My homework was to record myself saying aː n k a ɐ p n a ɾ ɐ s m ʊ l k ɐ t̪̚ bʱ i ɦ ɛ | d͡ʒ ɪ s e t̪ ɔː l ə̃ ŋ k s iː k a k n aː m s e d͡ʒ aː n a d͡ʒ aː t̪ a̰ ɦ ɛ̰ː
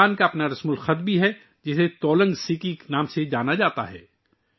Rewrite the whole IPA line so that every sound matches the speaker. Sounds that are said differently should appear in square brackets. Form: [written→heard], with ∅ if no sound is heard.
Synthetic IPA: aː n k a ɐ p n a ɾ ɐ s m ʊ l [k→x] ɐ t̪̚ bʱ i ɦ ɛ | d͡ʒ ɪ s e t̪ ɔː l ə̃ ŋ [k→ɡ] s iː k [a→i] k n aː m s e d͡ʒ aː n a d͡ʒ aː t̪ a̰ ɦ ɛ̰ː